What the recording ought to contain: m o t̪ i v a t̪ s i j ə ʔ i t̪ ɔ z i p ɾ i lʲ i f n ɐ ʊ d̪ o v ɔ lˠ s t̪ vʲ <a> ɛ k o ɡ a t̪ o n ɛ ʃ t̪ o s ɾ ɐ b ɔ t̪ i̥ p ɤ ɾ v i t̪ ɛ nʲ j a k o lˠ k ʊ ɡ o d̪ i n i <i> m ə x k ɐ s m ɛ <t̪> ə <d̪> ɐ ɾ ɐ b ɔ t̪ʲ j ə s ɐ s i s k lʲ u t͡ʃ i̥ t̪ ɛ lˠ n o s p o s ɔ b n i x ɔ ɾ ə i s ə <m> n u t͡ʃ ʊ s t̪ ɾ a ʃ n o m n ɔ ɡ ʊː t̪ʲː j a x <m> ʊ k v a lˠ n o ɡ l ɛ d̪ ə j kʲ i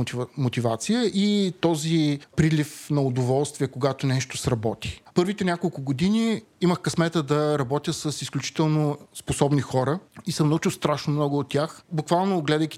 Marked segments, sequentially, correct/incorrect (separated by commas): incorrect, correct, correct, correct, correct, incorrect